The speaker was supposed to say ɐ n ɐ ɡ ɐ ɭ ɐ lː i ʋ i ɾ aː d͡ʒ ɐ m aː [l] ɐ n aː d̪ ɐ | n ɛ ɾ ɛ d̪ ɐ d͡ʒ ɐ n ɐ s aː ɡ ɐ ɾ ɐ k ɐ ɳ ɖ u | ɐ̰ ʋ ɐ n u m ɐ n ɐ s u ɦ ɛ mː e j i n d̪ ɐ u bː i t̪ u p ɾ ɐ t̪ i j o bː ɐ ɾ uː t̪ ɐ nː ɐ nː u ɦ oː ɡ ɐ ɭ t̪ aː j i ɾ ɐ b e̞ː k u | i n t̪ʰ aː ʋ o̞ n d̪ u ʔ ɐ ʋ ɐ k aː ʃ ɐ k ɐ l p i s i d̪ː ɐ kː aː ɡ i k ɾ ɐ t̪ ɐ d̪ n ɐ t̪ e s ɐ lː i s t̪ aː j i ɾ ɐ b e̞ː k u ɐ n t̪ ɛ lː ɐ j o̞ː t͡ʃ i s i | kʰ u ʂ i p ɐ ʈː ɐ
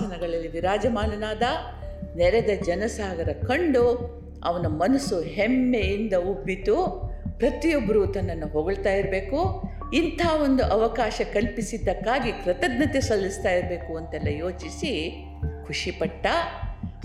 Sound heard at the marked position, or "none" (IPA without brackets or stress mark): l